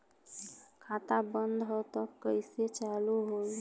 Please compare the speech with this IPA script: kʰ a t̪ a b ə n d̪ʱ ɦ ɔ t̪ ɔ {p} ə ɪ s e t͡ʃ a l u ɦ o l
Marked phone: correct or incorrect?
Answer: incorrect